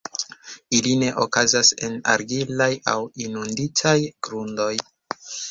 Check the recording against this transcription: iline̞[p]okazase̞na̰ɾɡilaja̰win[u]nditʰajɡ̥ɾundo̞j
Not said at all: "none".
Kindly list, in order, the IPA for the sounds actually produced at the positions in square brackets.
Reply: ʔ, u

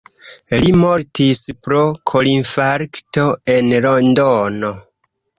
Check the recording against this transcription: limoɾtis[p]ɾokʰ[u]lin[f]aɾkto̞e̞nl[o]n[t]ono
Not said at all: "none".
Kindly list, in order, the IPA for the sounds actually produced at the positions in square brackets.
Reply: p, o, f, o, d

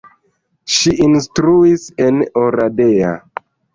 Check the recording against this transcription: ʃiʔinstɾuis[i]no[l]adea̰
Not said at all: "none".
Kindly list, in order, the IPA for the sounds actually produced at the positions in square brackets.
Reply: e, ɾ

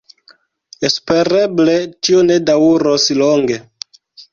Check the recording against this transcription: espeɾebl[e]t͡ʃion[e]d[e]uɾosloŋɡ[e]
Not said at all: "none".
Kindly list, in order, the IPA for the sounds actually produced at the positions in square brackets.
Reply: e, e, a, e

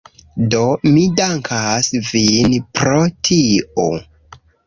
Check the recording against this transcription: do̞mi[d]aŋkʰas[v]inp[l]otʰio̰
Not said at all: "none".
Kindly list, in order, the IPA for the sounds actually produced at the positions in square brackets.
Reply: d, v, ɾ

